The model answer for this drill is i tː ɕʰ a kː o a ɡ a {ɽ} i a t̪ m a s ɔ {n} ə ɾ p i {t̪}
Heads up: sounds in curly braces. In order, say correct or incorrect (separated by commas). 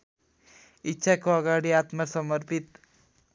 correct, incorrect, correct